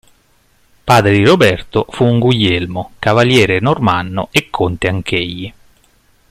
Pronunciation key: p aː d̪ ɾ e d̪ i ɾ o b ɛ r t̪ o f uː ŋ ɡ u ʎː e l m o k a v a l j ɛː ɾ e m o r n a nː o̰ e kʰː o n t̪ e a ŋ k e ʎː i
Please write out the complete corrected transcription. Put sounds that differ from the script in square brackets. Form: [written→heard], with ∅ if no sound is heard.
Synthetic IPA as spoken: p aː d̪ ɾ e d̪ i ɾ o b ɛ r t̪ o f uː ŋ ɡ u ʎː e l m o k a v a l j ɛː ɾ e [m→n] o r [n→m] a nː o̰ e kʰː o n t̪ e a ŋ k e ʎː i